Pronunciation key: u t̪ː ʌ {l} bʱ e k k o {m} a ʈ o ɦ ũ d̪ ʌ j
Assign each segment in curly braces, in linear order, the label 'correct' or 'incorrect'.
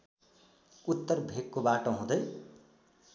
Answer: incorrect, incorrect

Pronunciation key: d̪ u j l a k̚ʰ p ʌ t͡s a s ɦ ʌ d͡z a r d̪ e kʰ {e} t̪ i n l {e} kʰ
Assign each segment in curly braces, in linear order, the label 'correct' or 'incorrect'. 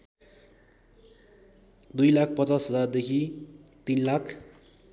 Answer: incorrect, incorrect

